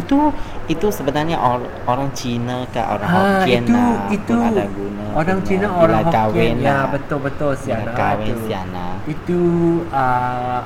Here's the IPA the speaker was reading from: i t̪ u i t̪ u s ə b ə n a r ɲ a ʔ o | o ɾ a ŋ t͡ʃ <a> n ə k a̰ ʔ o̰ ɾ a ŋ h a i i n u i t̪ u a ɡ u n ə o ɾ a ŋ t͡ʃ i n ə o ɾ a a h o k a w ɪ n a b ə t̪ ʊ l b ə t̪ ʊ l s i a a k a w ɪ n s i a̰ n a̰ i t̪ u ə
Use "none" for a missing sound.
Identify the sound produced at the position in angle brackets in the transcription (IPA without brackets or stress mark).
i